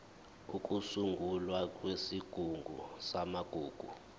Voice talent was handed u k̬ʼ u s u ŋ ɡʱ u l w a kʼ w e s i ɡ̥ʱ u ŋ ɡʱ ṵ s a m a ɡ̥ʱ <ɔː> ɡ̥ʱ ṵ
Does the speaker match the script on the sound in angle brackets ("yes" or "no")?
no